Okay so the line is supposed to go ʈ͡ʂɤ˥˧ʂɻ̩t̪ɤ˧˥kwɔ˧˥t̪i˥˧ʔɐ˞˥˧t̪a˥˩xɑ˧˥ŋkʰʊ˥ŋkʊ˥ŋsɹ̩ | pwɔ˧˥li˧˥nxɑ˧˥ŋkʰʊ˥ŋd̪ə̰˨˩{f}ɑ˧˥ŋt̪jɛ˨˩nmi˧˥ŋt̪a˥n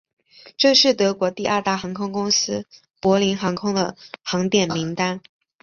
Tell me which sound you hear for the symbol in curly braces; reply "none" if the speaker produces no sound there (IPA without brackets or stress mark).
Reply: x